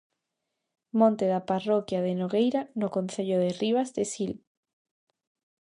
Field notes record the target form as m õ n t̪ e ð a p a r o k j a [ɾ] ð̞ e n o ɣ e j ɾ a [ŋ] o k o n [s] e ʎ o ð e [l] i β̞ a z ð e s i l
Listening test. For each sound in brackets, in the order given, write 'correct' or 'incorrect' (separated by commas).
incorrect, incorrect, incorrect, incorrect